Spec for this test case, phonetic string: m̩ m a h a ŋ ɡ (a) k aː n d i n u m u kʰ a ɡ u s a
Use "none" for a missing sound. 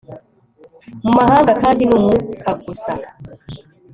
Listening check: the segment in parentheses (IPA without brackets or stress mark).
a